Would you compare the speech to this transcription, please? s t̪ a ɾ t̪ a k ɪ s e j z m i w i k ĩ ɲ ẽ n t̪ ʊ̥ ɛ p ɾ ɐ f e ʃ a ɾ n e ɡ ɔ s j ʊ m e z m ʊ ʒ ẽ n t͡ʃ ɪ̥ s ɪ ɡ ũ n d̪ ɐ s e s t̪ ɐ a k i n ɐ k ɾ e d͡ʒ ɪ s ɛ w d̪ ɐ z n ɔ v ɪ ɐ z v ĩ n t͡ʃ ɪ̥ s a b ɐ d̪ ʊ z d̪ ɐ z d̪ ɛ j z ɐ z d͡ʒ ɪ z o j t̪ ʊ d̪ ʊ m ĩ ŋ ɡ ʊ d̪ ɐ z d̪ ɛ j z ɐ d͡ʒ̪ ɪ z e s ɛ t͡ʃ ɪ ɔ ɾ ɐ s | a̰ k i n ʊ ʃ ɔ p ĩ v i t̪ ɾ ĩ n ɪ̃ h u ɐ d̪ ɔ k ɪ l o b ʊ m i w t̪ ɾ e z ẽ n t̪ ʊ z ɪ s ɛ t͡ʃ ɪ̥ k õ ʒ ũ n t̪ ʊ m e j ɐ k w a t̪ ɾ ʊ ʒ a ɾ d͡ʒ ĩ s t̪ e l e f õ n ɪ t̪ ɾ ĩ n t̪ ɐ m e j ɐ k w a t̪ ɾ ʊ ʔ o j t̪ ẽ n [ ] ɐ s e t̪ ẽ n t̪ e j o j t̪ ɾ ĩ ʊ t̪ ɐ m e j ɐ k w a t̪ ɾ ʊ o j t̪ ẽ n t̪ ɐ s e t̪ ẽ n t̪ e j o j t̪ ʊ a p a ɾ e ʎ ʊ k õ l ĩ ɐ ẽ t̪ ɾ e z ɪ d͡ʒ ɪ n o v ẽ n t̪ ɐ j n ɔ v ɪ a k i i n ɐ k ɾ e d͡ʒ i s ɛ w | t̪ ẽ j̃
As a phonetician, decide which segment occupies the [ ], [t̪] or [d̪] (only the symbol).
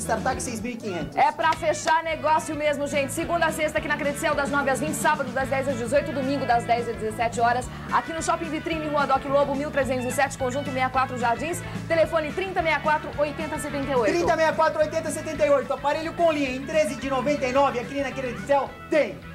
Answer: t̪